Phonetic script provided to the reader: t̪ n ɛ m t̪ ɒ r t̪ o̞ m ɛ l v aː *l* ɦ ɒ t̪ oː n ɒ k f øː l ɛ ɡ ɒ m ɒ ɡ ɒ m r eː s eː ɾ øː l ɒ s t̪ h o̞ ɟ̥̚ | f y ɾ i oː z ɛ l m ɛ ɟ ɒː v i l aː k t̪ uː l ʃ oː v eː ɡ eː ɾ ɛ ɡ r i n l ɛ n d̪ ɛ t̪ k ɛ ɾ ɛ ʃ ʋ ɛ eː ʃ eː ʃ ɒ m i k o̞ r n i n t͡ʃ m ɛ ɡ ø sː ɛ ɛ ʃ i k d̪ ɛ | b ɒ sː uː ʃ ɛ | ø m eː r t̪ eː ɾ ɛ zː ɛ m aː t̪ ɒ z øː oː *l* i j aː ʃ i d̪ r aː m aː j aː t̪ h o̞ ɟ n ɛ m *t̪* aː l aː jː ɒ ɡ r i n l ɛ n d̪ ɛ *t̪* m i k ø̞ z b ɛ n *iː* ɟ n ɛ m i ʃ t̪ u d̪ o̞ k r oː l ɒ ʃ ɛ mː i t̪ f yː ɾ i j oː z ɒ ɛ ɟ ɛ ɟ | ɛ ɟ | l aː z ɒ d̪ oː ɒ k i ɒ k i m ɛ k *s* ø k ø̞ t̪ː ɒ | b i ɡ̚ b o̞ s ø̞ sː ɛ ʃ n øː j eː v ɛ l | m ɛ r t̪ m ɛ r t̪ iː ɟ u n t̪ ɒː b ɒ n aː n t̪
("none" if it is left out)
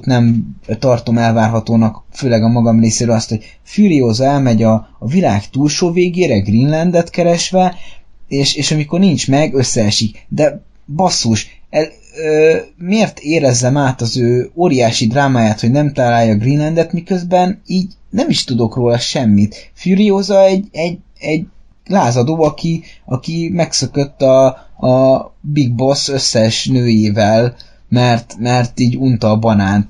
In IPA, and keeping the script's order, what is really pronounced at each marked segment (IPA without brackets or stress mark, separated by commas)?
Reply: r, ɾ, t̪, t̪, iː, s